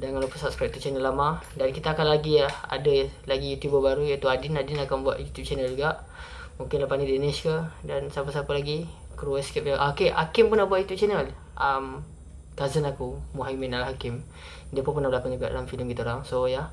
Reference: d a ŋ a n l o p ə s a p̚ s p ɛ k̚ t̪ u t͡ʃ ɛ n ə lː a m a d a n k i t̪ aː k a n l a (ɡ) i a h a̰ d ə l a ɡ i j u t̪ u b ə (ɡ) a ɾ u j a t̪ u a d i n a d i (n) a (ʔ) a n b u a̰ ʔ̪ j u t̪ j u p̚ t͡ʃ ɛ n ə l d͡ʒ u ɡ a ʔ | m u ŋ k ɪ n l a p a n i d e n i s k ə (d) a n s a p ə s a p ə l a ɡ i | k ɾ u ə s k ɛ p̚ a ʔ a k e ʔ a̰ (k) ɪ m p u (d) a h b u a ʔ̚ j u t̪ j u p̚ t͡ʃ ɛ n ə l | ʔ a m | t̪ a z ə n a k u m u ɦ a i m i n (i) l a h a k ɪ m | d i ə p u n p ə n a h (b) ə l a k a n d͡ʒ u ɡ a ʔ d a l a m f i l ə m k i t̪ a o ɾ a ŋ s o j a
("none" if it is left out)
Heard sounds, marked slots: ɡ, b, n, k, d, k, n, a, b

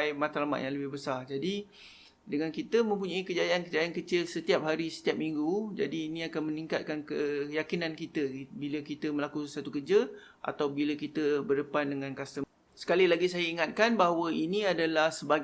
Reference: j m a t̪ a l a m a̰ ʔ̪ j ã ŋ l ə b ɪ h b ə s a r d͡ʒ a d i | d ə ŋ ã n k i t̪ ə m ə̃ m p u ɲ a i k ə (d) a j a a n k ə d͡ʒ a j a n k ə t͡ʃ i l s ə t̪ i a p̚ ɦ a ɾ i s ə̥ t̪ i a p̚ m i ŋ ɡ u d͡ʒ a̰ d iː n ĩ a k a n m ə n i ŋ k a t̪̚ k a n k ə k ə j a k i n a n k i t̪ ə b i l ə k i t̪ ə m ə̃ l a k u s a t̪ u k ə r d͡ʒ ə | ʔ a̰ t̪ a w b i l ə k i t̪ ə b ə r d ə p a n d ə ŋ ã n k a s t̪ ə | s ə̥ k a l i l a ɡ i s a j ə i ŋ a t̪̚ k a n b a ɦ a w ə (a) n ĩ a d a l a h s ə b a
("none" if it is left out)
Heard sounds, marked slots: d͡ʒ, i

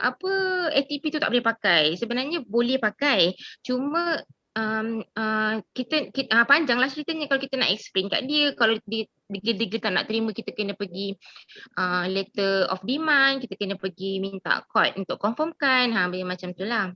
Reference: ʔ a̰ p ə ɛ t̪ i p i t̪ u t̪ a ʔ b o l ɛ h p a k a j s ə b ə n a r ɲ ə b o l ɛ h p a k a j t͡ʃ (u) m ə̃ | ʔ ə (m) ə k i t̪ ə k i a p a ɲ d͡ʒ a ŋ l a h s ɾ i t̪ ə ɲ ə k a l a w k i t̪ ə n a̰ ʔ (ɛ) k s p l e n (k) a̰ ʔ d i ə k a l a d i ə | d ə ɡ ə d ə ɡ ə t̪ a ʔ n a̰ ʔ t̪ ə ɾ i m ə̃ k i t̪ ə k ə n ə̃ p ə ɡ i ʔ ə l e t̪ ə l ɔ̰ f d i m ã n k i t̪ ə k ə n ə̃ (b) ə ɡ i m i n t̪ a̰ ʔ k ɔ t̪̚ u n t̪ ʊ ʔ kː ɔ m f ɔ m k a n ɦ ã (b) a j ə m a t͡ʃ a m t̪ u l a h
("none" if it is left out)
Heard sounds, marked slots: u, m, ɛ, k, p, b

